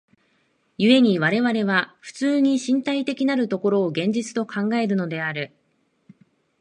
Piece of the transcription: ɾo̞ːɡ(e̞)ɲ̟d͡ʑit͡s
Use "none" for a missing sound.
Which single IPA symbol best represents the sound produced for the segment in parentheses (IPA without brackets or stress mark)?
ẽ̞